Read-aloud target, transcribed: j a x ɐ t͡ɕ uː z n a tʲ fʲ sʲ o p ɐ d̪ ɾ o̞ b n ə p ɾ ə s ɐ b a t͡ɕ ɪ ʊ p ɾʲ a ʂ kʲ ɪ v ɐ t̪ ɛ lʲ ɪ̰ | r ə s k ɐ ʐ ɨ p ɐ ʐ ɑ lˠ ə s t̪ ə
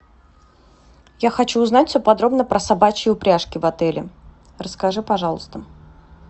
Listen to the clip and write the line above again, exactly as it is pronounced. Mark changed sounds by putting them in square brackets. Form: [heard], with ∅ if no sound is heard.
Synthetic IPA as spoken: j a x ɐ t͡ɕ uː z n a tʲ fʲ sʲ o p ɐ d̪ ɾ o̞ b n ə p ɾ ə s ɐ b a t͡ɕ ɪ ʊ p ɾʲ a ʂ kʲ ɪ v ɐ t̪ ɛ lʲ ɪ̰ | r ə s k ɐ ʐ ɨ p ɐ ʐ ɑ lˠ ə s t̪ ə